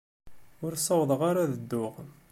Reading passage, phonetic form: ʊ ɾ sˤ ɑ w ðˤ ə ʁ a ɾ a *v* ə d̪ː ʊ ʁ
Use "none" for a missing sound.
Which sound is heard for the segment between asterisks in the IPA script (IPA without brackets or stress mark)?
ð